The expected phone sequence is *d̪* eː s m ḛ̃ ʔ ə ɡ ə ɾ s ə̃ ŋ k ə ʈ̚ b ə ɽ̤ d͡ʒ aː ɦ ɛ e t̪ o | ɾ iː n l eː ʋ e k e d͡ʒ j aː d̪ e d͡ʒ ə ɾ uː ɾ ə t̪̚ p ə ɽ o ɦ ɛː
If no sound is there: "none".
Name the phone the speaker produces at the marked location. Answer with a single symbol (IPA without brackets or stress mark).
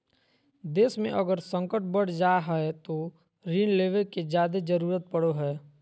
d̪